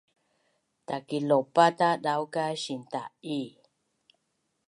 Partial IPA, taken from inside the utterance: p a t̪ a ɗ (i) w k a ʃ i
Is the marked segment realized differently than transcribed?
yes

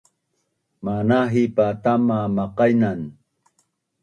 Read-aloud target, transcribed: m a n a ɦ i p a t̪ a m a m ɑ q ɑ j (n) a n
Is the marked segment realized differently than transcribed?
no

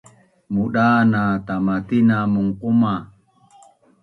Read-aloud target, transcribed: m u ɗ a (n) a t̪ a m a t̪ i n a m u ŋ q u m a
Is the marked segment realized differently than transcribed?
no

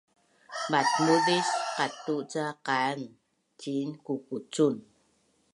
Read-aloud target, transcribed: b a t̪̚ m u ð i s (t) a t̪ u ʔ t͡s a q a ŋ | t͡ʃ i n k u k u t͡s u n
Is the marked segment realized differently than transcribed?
yes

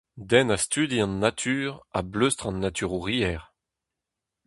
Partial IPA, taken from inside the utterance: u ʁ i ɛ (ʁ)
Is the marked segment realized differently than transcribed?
no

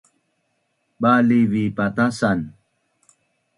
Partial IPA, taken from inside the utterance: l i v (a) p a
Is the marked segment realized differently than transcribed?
yes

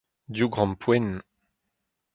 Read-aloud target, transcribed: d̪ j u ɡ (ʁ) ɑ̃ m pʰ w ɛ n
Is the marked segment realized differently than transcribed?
no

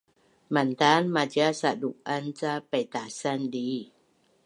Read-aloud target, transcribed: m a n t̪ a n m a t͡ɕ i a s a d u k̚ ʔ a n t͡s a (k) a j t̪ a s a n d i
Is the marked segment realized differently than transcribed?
yes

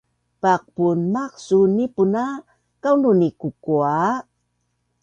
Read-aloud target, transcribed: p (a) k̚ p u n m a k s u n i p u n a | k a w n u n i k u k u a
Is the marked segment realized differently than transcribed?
no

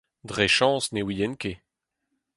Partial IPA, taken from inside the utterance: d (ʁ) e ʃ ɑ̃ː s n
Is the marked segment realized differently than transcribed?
no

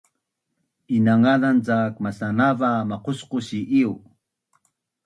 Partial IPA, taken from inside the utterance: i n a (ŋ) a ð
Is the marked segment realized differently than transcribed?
no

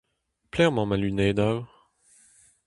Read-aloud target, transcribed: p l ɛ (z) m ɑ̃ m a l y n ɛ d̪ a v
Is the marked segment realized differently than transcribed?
yes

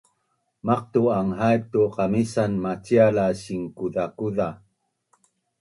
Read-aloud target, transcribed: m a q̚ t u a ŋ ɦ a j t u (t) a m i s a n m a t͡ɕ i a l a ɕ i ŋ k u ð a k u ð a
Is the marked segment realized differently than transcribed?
yes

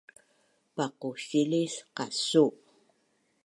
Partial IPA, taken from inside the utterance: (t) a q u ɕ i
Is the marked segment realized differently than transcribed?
yes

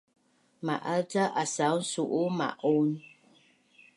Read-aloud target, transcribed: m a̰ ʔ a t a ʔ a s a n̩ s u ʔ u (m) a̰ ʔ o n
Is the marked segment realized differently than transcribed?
no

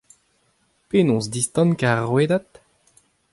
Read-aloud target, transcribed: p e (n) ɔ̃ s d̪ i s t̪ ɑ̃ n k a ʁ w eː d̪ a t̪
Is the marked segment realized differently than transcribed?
no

